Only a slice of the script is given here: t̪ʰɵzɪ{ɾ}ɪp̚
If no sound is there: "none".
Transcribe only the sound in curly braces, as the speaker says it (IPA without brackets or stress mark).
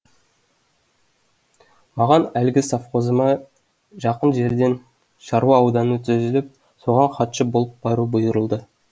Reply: l